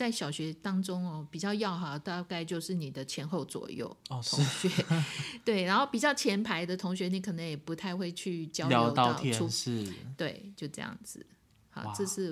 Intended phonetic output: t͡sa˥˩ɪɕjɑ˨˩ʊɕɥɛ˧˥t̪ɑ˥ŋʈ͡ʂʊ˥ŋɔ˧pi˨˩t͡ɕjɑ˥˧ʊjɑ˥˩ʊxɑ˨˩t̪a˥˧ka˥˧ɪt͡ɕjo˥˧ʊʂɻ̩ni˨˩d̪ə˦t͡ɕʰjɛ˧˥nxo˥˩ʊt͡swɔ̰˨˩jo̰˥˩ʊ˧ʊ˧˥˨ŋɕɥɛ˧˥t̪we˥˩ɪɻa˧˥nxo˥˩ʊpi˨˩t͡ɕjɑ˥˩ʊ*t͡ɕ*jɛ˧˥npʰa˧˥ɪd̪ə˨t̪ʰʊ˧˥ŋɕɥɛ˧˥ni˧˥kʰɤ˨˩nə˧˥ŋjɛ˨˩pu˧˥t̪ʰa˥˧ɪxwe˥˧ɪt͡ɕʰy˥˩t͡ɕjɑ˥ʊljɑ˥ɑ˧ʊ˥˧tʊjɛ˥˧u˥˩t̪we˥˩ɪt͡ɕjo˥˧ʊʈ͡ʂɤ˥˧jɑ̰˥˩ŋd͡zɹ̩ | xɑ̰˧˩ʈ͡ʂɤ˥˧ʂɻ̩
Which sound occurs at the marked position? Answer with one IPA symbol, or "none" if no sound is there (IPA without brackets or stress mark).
t͡ɕʰ